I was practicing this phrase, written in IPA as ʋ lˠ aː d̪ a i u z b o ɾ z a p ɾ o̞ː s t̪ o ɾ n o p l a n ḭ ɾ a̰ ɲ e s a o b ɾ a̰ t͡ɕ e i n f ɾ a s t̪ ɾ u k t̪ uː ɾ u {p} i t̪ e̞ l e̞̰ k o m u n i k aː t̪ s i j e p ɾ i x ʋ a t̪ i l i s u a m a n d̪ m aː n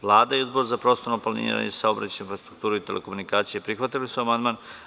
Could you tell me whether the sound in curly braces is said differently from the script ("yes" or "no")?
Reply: yes